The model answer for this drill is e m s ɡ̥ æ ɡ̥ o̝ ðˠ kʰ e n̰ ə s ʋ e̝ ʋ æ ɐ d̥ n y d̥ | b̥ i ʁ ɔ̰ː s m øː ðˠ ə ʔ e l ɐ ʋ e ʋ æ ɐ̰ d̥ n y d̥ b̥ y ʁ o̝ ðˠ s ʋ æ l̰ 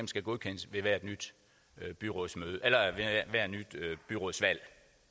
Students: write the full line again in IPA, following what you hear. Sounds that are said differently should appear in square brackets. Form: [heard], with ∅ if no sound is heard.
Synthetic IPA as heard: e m s ɡ̥ æ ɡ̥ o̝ ðˠ kʰ e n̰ ə s ʋ e̝ ʋ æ ɐ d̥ n y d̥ | b̥ [y] ʁ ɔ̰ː s m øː ðˠ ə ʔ e l ɐ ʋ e ʋ æ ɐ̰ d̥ n y d̥ b̥ y ʁ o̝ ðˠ s ʋ æ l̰

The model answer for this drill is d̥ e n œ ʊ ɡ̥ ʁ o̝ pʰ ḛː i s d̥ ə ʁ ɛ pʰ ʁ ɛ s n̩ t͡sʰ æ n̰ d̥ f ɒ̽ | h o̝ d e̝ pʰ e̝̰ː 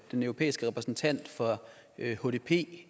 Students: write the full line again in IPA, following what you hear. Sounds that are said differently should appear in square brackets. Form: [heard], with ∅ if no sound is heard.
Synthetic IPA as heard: d̥ e n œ ʊ [∅] ʁ o̝ pʰ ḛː i s [ɡ̥] ə ʁ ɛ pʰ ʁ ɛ s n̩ t͡sʰ æ n̰ d̥ f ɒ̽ | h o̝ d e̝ pʰ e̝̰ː

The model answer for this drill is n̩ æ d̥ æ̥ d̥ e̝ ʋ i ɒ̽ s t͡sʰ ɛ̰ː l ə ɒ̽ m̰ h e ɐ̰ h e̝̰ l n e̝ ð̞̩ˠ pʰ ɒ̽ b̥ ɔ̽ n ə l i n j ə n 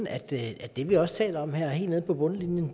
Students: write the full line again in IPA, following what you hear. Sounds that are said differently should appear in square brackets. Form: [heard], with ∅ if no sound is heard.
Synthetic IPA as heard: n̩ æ d̥ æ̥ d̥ e̝ ʋ i ɒ̽ s t͡sʰ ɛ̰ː l [ɐ] ɒ̽ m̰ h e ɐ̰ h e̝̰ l n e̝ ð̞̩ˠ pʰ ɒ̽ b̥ ɔ̽ n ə l i n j ə n

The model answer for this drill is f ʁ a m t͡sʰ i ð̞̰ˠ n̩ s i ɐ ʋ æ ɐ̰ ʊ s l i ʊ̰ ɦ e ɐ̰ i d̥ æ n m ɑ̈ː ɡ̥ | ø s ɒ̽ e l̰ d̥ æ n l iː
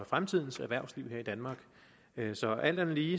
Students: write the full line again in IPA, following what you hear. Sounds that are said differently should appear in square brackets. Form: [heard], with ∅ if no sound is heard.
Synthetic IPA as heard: f ʁ a m t͡sʰ i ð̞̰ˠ n̩ s [æ] ɐ ʋ æ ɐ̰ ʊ s l i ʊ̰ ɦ e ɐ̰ i d̥ æ n m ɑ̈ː ɡ̥ | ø s ɒ̽ [æ] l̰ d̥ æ n l iː

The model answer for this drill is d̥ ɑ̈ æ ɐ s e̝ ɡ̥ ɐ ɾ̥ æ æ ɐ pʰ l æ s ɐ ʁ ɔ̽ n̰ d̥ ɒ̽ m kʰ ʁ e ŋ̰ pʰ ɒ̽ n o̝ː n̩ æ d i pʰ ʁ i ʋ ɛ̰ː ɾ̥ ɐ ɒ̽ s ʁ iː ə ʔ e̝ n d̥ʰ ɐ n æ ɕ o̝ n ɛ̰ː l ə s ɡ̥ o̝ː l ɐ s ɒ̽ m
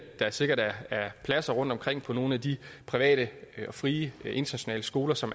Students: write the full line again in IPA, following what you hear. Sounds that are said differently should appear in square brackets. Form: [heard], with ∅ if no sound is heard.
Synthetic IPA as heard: d̥ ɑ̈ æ ɐ s e̝ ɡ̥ ɐ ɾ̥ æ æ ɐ pʰ l æ s ɐ ʁ ɔ̽ n̰ d̥ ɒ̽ m kʰ ʁ e ŋ̰ pʰ ɒ̽ n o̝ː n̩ æ d i pʰ ʁ i ʋ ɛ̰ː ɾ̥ [ə] ɒ̽ [f] ʁ iː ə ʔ e̝ n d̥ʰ ɐ n æ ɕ o̝ n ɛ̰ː l ə s ɡ̥ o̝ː l ɐ s ɒ̽ m

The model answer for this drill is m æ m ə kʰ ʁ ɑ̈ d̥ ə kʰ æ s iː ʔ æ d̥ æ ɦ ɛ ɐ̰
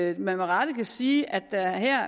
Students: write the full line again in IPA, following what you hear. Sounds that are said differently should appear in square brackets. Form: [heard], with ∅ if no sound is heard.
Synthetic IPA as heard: m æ m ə [∅] ʁ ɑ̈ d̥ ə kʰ æ s iː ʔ æ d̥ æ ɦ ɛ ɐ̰

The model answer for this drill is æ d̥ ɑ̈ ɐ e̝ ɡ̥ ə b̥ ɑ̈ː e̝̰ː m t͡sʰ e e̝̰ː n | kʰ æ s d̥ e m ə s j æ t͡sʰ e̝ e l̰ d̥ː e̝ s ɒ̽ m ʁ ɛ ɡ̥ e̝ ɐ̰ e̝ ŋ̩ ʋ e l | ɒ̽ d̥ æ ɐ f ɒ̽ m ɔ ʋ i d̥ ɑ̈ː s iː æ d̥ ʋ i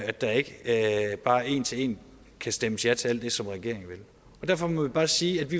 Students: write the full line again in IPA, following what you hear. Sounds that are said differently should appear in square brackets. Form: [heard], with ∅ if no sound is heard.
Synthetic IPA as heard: æ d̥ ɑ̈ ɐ e̝ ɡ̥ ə b̥ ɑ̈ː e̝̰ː [n] t͡sʰ e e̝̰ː n | kʰ æ s d̥ e m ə s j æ t͡sʰ e̝ [æ] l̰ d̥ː e̝ s ɒ̽ m ʁ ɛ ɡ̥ e̝ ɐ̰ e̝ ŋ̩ ʋ e l | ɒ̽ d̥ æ ɐ f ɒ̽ m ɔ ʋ i [b̥] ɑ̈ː s iː æ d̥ ʋ i

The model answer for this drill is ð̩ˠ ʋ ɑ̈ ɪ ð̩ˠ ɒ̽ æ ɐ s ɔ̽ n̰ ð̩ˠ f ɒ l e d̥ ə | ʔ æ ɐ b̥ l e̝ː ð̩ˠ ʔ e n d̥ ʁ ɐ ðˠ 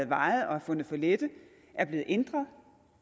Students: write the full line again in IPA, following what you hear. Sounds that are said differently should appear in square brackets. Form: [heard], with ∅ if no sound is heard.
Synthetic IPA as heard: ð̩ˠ ʋ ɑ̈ ɪ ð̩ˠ ɒ̽ æ ɐ [f] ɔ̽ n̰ ð̩ˠ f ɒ l e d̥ ə | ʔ æ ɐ b̥ l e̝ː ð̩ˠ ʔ e n d̥ ʁ ɐ ðˠ

